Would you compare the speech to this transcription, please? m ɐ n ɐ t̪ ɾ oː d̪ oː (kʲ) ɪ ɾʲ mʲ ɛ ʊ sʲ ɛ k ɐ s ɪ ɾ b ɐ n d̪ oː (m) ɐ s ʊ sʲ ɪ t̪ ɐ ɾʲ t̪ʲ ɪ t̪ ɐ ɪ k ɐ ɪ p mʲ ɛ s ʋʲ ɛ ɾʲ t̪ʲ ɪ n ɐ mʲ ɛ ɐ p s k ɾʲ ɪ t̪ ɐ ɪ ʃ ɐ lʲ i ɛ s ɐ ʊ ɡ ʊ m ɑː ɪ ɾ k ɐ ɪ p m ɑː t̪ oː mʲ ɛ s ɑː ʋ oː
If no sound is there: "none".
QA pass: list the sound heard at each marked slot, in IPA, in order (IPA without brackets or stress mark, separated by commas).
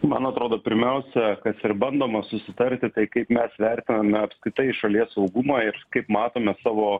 pʲ, m